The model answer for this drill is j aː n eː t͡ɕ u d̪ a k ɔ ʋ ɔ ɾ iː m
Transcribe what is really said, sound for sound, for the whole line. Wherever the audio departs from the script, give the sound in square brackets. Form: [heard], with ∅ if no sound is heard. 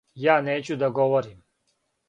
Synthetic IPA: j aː n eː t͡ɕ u d̪ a [ɡ] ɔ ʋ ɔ ɾ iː m